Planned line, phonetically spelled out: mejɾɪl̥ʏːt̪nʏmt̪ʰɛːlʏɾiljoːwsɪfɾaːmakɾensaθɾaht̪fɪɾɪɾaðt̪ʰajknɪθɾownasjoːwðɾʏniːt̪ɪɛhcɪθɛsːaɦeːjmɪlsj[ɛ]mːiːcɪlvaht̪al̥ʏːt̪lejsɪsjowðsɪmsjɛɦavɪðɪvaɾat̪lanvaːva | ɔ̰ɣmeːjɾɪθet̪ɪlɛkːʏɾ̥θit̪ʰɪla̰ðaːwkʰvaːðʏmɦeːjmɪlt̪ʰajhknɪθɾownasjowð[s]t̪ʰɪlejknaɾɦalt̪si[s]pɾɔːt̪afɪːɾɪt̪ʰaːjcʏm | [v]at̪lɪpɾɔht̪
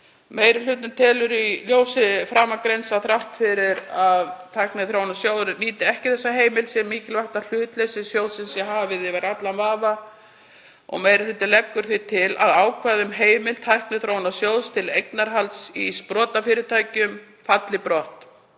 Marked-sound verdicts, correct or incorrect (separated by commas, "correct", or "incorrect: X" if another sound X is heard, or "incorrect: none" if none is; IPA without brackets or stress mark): correct, correct, correct, incorrect: f